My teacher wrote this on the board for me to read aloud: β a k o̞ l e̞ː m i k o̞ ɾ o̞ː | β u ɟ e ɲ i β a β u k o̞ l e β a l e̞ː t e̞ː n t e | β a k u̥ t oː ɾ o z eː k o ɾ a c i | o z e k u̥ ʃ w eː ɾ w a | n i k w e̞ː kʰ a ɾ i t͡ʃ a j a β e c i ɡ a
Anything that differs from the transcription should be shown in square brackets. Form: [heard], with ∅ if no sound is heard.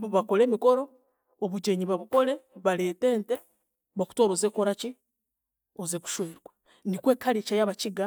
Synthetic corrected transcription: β a k o̞ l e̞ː m i k o̞ ɾ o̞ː | β u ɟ e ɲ i β a β u k o̞ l e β a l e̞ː t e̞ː n t e | β a k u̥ t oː ɾ o z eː k o ɾ a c i | o z e k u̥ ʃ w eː ɾ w a | n i k w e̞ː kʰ a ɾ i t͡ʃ a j a β [a] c i ɡ a